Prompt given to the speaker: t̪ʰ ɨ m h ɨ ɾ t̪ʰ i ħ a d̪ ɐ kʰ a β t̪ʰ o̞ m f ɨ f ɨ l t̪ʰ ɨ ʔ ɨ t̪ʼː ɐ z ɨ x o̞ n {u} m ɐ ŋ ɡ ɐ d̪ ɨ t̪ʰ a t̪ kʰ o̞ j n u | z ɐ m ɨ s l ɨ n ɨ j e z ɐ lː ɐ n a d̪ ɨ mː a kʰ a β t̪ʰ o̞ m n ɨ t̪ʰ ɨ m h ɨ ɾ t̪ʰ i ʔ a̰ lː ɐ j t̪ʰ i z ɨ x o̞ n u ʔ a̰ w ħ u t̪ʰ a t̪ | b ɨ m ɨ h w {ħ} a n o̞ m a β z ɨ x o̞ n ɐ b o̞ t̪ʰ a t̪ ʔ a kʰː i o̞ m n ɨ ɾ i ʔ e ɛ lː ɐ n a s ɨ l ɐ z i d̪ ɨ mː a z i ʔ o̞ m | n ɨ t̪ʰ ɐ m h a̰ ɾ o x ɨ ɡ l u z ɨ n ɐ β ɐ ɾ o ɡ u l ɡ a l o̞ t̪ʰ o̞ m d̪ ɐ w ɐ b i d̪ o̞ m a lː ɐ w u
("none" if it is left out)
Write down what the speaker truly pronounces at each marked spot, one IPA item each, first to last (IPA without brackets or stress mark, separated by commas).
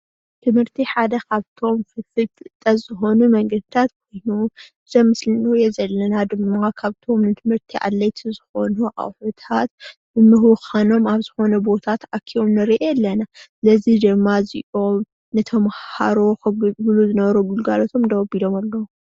u, x